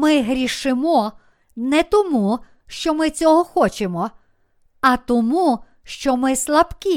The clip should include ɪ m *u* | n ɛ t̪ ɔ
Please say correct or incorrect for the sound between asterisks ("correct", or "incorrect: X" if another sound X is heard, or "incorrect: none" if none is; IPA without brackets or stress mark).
incorrect: ɔ